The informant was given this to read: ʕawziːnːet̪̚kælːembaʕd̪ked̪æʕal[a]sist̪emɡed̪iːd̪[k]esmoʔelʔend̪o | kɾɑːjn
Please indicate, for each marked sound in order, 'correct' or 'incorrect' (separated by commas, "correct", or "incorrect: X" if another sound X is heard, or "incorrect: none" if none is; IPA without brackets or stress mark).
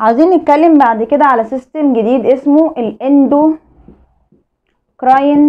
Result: incorrect: æ, incorrect: ʔ